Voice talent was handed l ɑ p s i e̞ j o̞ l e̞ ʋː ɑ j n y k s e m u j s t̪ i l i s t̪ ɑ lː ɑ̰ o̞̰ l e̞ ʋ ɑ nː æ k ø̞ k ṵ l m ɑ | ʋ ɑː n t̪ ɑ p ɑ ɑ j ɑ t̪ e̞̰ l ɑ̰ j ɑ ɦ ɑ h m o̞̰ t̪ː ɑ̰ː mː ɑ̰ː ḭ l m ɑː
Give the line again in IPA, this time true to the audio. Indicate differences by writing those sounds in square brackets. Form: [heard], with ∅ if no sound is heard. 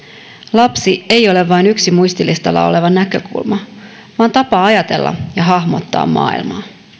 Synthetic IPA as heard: l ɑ p s i e̞ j o̞ l e̞ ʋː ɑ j n y k s [i] m u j s t̪ i l i s t̪ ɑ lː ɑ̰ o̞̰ l e̞ ʋ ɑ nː æ k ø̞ k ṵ l m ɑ | ʋ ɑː n t̪ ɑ p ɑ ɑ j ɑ t̪ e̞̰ [lː] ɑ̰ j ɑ ɦ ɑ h m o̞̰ t̪ː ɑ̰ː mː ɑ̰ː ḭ l m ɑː